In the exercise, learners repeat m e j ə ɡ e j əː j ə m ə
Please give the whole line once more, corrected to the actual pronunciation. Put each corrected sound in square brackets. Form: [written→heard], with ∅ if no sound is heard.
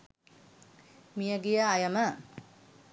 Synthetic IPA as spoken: m [e→i] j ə ɡ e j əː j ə m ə